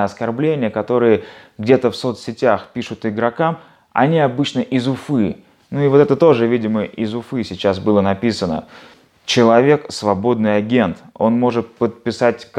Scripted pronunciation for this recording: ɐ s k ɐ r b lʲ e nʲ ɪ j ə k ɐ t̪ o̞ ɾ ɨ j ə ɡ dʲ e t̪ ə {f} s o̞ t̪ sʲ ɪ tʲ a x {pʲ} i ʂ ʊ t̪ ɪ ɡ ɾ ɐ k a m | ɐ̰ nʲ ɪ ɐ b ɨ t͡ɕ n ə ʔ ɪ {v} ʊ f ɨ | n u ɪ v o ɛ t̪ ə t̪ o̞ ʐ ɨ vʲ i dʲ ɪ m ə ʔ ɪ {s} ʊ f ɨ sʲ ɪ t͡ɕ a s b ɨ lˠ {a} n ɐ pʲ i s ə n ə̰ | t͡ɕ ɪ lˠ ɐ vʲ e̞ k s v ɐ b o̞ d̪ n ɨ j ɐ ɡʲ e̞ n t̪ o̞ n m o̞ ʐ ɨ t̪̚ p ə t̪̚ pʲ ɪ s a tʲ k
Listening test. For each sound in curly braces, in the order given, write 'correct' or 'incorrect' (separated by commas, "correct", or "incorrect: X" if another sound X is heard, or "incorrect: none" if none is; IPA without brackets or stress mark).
correct, correct, incorrect: z, incorrect: z, incorrect: ə